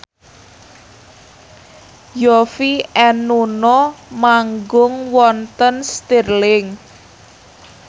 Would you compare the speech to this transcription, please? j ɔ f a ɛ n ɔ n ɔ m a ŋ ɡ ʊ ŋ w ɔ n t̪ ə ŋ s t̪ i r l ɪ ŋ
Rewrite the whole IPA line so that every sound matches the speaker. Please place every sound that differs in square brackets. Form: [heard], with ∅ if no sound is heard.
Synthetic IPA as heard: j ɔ f [i] ɛ n [u] n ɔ m a ŋ ɡ ʊ ŋ w ɔ n t̪ ə [n] s t̪ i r l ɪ ŋ